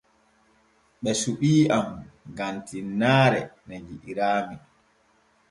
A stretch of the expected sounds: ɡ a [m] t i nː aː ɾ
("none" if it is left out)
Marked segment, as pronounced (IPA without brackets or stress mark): n